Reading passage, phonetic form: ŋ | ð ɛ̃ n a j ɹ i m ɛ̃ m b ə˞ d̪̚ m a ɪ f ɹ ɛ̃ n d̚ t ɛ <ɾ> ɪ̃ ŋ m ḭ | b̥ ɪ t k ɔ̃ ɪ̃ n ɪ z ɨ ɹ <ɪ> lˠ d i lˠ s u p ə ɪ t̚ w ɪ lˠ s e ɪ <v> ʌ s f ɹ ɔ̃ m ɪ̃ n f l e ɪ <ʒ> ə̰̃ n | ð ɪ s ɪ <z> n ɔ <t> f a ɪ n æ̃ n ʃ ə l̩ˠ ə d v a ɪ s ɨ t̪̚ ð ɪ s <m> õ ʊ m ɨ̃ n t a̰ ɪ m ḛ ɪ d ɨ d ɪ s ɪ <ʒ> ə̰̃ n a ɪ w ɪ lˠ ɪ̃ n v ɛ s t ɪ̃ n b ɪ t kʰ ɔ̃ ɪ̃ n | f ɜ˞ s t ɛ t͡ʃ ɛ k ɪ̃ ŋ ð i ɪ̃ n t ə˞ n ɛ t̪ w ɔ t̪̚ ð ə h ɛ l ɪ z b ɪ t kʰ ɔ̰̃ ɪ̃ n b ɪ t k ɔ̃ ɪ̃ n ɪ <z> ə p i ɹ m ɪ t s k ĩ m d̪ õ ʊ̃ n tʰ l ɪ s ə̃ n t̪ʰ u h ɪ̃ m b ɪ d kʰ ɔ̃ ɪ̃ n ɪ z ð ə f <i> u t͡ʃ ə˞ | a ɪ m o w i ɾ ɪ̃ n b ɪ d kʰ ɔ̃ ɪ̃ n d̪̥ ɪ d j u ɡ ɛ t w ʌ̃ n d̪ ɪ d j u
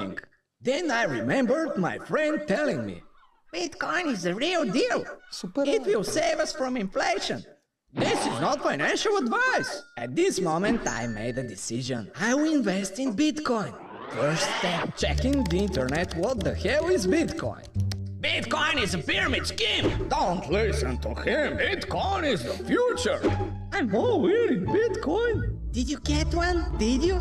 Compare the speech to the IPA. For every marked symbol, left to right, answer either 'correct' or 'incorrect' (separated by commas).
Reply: incorrect, incorrect, correct, incorrect, correct, correct, correct, correct, correct, incorrect